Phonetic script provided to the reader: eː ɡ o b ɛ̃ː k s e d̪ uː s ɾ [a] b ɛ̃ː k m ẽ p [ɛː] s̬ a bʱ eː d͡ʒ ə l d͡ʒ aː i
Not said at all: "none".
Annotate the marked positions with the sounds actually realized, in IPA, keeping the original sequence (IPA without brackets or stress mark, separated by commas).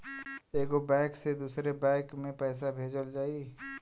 e, ɛː